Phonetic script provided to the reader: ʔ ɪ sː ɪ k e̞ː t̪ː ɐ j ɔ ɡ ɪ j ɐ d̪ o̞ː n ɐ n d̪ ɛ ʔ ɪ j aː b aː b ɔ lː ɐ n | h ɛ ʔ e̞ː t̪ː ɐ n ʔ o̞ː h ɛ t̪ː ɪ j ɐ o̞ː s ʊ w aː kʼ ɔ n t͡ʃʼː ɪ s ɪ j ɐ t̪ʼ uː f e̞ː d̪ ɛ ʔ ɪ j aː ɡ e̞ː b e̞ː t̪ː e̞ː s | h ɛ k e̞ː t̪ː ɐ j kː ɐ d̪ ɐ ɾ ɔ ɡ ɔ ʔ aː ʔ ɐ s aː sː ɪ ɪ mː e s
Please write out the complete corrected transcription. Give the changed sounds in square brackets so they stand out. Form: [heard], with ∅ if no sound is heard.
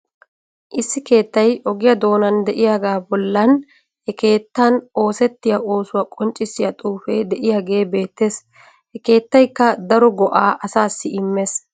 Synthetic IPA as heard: ʔ ɪ sː ɪ k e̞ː t̪ː ɐ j ɔ ɡ ɪ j ɐ d̪ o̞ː n ɐ n d̪ ɛ ʔ ɪ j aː [ɡ] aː b ɔ lː ɐ n | h ɛ [k] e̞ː t̪ː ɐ n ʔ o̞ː [s] ɛ t̪ː ɪ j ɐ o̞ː s ʊ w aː kʼ ɔ n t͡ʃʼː ɪ s ɪ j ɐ t̪ʼ uː f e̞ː d̪ ɛ ʔ ɪ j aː ɡ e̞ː b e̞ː t̪ː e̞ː s | h ɛ k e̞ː t̪ː ɐ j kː ɐ d̪ ɐ ɾ ɔ ɡ ɔ ʔ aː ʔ ɐ s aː sː ɪ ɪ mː e s